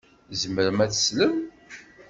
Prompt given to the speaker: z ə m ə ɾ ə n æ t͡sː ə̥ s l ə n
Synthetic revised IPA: z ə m ə ɾ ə m æ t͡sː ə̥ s l ə m